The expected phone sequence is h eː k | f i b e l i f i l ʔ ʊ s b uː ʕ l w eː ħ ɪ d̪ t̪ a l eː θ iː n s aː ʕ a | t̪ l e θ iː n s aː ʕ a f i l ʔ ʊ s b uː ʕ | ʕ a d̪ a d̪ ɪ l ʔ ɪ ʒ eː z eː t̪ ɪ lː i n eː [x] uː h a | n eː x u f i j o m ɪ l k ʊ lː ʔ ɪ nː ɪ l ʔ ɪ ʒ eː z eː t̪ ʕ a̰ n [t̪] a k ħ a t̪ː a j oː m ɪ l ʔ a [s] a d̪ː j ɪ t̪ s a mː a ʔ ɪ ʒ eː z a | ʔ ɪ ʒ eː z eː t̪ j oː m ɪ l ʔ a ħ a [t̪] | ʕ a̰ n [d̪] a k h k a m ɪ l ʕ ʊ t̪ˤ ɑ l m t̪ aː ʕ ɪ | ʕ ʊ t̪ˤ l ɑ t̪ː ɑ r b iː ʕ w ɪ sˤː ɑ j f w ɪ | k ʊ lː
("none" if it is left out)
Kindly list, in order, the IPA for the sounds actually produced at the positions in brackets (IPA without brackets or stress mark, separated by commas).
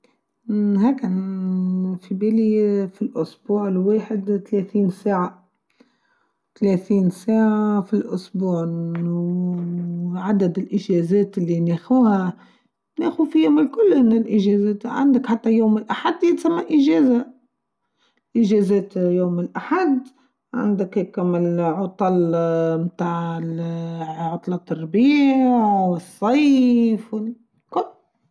x, d̪, ħ, d̪, d̪